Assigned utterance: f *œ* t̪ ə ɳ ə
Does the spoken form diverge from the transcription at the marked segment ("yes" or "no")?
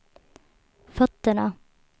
no